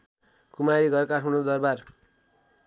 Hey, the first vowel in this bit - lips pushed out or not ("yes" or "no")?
yes